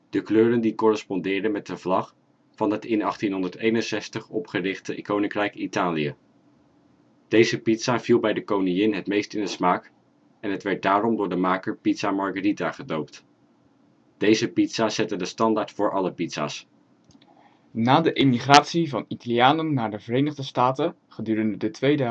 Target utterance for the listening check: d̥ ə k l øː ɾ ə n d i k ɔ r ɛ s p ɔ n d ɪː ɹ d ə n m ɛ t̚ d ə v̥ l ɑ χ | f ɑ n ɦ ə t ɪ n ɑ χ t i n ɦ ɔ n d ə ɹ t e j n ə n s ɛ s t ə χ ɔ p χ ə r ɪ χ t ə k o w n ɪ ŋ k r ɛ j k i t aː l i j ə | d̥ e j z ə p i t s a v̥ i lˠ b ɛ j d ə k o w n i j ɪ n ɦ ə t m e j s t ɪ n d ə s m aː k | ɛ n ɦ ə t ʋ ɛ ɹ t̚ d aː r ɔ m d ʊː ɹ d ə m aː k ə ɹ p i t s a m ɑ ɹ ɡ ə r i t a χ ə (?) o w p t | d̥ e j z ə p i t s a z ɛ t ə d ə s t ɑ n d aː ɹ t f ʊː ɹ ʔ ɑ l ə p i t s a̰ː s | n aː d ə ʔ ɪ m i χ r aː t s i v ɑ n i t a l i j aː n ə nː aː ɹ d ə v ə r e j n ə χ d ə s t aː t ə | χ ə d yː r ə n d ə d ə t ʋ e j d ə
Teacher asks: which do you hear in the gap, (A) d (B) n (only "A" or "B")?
A